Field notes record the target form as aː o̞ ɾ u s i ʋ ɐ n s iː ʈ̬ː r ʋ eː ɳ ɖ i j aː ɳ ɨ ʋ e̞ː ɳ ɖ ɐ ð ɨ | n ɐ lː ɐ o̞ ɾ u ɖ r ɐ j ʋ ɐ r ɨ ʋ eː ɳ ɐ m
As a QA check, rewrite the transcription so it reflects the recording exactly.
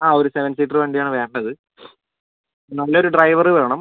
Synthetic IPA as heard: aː o̞ ɾ u s e ʋ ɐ n s iː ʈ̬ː r ʋ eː ɳ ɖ i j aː ɳ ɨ ʋ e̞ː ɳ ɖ ɐ ð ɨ | n ɐ lː ɐ o̞ ɾ u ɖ r ɐ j ʋ ɐ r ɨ ʋ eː ɳ ɐ m

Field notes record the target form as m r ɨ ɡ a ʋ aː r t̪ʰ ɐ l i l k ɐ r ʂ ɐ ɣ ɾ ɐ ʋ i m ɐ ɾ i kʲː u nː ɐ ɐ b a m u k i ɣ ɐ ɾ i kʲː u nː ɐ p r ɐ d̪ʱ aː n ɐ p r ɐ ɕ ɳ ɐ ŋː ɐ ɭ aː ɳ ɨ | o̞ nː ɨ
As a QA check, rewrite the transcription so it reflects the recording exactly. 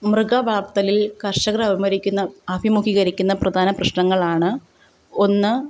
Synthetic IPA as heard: m r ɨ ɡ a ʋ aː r t̪ ɐ l i l k ɐ r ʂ ɐ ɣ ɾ ɐ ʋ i m ɐ ɾ i kʲː u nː ɐ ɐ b i m u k i ɣ ɐ ɾ i kʲː u nː ɐ p r ɐ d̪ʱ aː n ɐ p r ɐ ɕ ɳ ɐ ŋː ɐ ɭ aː ɳ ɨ | o̞ nː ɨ

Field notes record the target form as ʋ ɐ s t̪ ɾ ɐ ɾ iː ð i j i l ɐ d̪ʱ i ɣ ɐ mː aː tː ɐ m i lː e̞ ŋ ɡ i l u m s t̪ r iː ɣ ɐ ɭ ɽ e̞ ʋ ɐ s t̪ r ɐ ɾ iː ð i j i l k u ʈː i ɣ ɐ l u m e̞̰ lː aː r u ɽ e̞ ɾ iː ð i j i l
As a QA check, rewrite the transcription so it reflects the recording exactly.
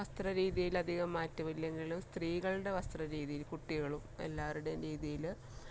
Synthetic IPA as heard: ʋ ɐ s t̪ r ɐ ɾ iː ð i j i l ɐ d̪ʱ i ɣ ɐ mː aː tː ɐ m i lː e̞ ŋ ɡ i l u m s t̪ r iː ɣ ɐ ɭ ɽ e̞ ʋ ɐ s t̪ r ɐ ɾ iː ð i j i l k u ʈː i ɣ ɐ ɭ u m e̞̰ lː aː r u ɽ e̞ ɾ iː ð i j i l

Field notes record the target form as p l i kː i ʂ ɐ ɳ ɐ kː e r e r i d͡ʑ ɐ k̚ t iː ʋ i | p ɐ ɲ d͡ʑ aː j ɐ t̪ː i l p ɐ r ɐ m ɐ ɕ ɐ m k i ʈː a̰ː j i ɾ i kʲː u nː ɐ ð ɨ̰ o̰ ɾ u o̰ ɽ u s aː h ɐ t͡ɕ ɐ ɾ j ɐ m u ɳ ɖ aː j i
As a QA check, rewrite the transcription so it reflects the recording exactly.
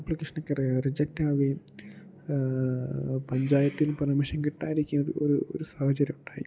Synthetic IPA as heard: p l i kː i ʂ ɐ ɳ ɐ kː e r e r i d͡ʑ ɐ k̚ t aː ʋ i | p ɐ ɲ d͡ʑ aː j ɐ t̪ː i l p ɐ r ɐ m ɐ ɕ ɐ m k i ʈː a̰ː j i ɾ i kʲː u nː ɐ ð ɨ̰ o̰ ɾ u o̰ ɾ u s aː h ɐ t͡ɕ ɐ ɾ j ɐ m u ɳ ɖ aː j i

